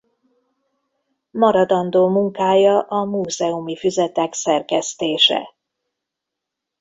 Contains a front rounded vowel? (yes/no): yes